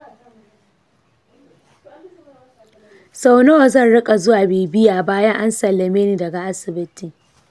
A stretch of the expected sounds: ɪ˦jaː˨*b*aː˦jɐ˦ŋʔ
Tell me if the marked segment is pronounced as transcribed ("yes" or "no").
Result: yes